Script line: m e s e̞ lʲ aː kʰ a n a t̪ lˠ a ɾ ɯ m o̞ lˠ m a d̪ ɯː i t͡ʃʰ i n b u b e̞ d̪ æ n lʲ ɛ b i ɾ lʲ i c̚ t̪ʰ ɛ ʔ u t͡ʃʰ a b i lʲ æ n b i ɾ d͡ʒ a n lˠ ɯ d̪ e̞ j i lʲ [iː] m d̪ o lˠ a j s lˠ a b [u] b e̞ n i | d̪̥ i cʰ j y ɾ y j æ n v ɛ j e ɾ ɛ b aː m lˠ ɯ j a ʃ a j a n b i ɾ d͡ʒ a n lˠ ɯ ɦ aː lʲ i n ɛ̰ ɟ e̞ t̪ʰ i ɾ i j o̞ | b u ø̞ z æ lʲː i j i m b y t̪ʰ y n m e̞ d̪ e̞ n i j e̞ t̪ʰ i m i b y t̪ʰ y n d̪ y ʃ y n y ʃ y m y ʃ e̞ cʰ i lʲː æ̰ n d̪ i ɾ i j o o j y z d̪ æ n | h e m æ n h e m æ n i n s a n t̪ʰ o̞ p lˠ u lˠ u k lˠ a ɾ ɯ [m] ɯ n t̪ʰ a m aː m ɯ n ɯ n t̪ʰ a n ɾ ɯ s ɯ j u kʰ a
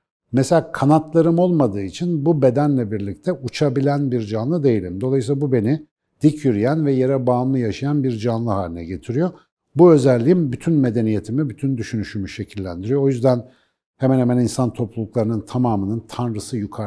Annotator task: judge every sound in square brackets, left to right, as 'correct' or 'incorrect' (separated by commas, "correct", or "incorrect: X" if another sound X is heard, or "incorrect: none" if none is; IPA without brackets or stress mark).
incorrect: i, correct, incorrect: n